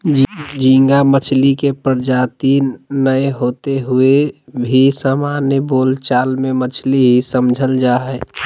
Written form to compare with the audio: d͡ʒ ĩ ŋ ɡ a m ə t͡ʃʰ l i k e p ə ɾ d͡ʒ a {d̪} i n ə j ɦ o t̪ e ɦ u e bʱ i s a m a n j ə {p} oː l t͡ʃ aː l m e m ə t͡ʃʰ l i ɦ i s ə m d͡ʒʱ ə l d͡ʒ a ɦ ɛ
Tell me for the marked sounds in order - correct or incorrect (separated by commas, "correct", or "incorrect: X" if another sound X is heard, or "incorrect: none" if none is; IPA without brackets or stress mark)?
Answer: incorrect: t̪, incorrect: b